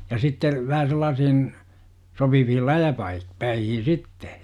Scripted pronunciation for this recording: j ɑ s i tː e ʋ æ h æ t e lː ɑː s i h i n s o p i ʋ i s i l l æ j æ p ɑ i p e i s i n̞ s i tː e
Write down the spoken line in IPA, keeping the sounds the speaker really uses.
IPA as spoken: j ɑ s i tː e ʋ æ h æ s e lː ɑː s i h i n s o p i ʋ i h i l l æ j æ p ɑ i p æ i h i n̞ s i tː e